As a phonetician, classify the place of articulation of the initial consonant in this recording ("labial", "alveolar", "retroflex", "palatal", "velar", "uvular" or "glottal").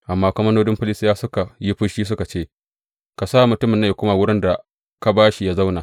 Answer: glottal